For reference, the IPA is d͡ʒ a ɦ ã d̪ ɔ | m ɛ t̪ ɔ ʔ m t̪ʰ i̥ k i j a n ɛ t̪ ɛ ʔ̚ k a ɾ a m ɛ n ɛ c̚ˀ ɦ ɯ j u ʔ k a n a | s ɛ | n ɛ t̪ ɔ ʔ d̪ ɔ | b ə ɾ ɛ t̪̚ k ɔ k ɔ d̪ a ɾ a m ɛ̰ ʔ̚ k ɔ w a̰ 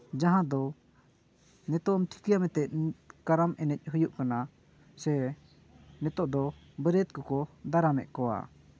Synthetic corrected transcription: d͡ʒ a ɦ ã d̪ ɔ | n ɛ t̪ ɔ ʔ m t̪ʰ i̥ k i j a m ɛ t̪ ɛ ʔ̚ k a ɾ a m ɛ n ɛ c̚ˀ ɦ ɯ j u ʔ k a n a | s ɛ | n ɛ t̪ ɔ ʔ d̪ ɔ | b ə ɾ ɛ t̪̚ k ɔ k ɔ d̪ a ɾ a m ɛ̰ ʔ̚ k ɔ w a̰